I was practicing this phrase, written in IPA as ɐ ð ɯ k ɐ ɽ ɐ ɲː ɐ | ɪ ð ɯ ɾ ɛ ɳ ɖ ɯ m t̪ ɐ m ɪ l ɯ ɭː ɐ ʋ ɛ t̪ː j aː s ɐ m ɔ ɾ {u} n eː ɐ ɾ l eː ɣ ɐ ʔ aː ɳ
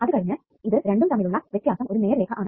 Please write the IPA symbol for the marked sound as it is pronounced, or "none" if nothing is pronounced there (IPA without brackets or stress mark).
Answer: ɯ